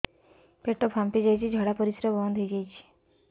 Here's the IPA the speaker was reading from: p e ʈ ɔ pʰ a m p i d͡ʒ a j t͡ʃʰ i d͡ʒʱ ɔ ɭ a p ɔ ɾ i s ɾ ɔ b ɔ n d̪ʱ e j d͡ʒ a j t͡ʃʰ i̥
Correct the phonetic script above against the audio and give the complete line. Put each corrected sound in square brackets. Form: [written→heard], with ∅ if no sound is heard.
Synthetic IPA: p e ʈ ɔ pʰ a m p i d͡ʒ a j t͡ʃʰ i d͡ʒʱ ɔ [ɭ→ɽ] a p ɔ ɾ i s ɾ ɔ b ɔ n d̪ʱ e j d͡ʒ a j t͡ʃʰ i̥